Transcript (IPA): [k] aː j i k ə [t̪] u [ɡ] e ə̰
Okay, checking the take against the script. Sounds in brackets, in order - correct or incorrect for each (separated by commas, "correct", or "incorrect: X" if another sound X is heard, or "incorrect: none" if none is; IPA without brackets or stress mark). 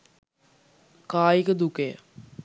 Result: correct, incorrect: d̪, incorrect: k